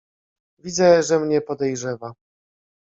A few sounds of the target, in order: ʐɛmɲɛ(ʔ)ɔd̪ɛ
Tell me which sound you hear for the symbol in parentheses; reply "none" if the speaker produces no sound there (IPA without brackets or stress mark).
p